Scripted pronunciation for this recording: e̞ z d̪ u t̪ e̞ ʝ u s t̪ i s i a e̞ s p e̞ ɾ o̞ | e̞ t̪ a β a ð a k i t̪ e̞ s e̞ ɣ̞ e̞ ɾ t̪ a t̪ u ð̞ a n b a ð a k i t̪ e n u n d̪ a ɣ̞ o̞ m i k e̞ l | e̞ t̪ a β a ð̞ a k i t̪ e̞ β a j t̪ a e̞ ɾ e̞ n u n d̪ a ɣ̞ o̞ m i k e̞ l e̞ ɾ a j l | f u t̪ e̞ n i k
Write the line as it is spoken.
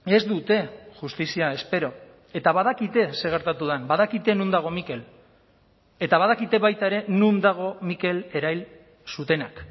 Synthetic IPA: e̞ z d̪ u t̪ e̞ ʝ u s t̪ i s i a e̞ s p e̞ ɾ o̞ | e̞ t̪ a β a ð a k i t̪ e̞ s e̞ ɣ̞ e̞ ɾ t̪ a t̪ u ð̞ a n b a ð a k i t̪ e n u n d̪ a ɣ̞ o̞ m i k e̞ l | e̞ t̪ a β a ð̞ a k i t̪ e̞ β a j t̪ a e̞ ɾ e̞ n u n d̪ a ɣ̞ o̞ m i k e̞ l e̞ ɾ a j l | s u t̪ e̞ n a k